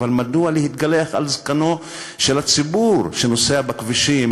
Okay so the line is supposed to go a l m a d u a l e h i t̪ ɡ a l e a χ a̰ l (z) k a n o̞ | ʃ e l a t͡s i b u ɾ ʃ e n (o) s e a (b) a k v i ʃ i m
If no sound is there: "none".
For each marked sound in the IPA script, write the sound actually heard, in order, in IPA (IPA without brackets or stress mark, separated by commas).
z, o, b